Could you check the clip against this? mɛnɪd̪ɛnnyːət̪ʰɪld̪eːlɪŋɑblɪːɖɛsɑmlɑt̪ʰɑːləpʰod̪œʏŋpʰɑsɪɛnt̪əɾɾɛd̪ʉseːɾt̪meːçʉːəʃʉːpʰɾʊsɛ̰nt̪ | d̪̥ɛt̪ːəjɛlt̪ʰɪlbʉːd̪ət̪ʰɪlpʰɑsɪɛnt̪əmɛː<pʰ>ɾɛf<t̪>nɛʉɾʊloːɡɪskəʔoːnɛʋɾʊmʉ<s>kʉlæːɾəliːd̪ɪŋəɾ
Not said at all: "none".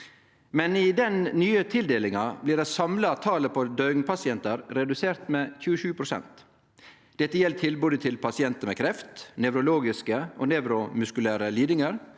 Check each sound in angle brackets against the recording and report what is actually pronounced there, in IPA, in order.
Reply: kʰ, t̪, s

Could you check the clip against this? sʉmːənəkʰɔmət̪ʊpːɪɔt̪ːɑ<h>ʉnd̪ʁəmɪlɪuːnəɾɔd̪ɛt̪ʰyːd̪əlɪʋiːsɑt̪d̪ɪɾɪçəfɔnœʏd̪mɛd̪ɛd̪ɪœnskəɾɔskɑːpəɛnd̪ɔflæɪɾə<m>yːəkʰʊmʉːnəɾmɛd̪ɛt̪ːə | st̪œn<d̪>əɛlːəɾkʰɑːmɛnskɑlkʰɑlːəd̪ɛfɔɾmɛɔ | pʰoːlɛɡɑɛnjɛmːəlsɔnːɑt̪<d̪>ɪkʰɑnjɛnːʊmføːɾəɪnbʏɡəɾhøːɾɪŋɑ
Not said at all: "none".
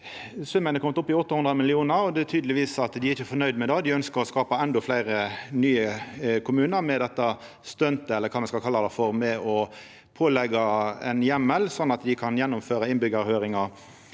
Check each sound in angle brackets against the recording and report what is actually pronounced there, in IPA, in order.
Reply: h, n, t̪, d̪

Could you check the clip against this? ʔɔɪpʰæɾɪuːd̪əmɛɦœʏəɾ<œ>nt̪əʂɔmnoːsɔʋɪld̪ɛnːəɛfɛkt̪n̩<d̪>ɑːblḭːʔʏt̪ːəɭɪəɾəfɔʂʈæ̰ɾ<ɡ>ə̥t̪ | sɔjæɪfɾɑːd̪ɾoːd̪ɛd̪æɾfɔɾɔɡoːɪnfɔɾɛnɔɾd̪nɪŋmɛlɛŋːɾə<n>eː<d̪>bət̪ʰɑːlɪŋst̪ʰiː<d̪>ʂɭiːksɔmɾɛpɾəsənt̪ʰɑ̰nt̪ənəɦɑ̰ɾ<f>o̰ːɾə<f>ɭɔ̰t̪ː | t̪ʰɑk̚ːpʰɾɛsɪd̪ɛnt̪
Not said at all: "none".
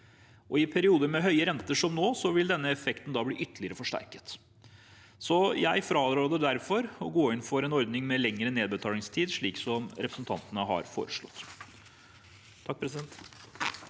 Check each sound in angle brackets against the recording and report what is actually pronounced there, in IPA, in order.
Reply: ɛ, d̪, k, n, d̪, d̪, f, ʂ

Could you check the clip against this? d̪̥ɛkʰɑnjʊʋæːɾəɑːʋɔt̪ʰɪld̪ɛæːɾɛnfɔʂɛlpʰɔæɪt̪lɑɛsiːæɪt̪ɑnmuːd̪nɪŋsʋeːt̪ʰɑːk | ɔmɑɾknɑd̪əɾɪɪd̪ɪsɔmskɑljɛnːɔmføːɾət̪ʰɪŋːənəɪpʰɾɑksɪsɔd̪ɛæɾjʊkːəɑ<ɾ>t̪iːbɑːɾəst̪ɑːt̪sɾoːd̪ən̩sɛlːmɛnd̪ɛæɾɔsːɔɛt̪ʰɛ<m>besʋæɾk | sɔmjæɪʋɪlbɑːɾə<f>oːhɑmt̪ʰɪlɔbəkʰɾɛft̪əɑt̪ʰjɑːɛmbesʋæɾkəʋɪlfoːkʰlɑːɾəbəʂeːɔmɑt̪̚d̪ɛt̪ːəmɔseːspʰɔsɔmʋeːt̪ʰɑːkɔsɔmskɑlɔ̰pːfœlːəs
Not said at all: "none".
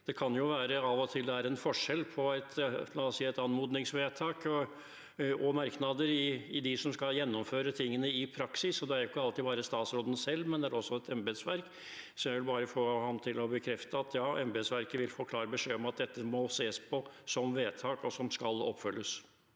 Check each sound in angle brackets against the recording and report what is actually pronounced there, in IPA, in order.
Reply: l, m, f

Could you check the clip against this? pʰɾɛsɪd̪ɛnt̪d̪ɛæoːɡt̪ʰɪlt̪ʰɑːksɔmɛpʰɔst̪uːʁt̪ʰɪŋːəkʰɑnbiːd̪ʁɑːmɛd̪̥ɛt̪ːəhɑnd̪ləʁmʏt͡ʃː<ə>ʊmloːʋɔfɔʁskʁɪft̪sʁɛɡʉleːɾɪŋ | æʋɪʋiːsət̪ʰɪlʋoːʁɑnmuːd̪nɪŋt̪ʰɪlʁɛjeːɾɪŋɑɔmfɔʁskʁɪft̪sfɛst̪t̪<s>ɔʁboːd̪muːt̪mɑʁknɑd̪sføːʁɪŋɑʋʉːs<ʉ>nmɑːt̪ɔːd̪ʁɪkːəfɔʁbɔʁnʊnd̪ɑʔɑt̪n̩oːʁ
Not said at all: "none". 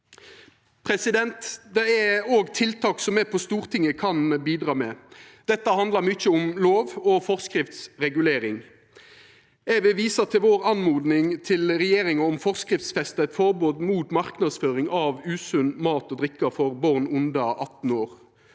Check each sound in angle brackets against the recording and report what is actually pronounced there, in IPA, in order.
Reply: ə, f, ʉ

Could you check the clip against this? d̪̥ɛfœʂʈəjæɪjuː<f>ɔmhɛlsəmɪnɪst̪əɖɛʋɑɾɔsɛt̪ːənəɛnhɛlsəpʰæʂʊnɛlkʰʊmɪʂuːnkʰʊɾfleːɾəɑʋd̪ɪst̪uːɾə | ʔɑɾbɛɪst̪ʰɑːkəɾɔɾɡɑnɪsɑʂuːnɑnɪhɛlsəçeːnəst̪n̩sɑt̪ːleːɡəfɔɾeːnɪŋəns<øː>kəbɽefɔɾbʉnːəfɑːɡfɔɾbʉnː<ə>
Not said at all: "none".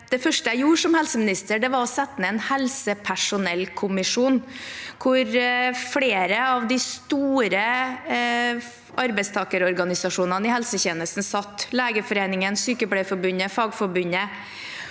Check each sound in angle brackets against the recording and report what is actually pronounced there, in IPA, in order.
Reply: ʂ, yː, ə

